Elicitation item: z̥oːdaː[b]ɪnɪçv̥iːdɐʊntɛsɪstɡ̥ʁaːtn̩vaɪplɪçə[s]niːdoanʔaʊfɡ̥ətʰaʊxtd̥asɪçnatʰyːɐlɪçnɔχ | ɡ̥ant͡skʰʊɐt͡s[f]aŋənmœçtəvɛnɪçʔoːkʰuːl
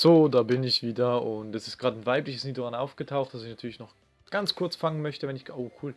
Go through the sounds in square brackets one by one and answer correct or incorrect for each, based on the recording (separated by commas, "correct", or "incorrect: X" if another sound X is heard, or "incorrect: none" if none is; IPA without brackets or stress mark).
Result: correct, correct, correct